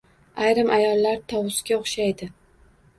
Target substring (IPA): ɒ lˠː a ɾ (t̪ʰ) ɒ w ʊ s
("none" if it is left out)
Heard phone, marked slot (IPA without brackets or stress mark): t̪ʰ